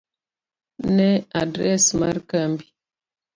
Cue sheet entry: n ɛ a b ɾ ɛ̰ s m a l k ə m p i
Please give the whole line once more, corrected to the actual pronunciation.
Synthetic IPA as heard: n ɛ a d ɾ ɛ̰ s m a ɾ k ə m b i